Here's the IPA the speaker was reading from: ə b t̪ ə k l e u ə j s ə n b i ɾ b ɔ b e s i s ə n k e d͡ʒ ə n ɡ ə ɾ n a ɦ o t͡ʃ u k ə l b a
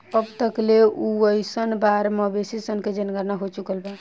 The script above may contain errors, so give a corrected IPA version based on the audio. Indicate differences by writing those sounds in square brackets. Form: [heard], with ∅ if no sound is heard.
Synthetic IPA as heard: ə b t̪ ə k l e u ə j s ə n b [a] ɾ [m] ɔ b e s i s ə n k e d͡ʒ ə n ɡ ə ɾ n a ɦ o t͡ʃ u k ə l b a